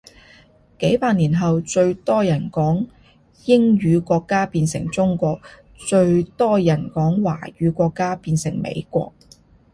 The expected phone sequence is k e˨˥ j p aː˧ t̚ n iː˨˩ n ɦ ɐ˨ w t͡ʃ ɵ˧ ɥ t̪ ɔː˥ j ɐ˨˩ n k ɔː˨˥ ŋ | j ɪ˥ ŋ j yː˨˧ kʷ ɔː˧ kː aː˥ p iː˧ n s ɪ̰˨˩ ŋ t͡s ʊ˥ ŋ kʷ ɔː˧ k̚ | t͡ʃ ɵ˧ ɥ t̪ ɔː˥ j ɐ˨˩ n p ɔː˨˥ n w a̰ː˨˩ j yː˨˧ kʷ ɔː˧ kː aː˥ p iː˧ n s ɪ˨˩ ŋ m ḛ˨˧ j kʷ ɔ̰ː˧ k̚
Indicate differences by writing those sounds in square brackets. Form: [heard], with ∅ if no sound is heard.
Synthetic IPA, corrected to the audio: k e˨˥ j p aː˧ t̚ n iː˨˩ n ɦ ɐ˨ w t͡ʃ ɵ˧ ɥ t̪ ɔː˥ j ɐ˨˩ n k ɔː˨˥ ŋ | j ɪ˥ ŋ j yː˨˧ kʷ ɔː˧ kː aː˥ p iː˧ n s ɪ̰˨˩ ŋ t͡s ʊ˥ ŋ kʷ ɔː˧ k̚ | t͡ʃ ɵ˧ ɥ t̪ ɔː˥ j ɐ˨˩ n [k] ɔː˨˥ [ŋ] w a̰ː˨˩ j yː˨˧ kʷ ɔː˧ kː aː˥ p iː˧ n s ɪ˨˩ ŋ m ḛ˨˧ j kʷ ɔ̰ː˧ k̚